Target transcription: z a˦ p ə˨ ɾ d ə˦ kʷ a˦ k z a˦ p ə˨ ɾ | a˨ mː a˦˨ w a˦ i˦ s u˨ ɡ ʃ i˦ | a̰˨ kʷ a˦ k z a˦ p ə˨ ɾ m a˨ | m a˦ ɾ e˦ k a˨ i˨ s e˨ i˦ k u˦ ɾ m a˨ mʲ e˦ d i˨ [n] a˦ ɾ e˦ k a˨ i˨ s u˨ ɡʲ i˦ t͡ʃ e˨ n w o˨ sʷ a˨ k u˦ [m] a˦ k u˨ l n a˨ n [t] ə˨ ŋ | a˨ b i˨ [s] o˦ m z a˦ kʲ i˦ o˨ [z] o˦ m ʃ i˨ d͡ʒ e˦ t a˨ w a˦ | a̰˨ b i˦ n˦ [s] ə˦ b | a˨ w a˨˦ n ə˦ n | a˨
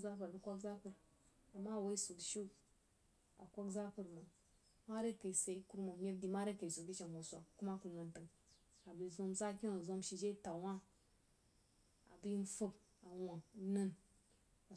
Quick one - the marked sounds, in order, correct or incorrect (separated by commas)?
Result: incorrect, correct, correct, incorrect, correct, incorrect